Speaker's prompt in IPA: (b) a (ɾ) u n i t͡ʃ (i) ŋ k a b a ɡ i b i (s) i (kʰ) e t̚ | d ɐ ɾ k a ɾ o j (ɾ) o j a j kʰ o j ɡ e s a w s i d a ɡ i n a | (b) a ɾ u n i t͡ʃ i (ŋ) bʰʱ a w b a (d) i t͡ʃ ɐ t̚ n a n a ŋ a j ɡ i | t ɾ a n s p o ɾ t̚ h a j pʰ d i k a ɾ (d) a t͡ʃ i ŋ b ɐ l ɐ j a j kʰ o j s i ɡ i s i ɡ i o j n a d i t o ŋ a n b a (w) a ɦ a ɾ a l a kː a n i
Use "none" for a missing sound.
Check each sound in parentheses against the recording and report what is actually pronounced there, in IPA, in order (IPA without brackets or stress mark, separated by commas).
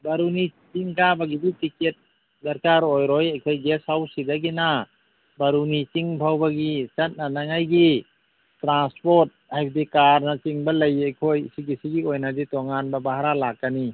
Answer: b, ɾ, i, t, k, ɾ, b, ŋ, ɡ, n, b